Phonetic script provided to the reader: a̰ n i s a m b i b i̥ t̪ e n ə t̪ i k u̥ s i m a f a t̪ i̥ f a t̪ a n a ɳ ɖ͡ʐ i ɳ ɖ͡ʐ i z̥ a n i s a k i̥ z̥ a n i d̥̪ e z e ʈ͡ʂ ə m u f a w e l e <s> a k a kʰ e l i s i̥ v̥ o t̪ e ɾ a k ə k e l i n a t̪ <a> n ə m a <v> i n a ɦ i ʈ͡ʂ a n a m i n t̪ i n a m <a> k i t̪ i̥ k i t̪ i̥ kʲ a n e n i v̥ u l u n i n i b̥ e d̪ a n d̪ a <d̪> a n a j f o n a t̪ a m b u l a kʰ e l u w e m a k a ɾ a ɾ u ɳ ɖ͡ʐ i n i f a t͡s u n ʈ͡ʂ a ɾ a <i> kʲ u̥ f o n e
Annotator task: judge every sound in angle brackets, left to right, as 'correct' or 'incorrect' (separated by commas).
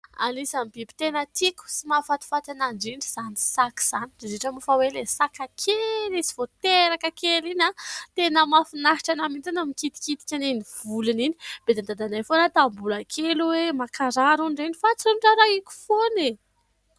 correct, incorrect, incorrect, incorrect, correct, correct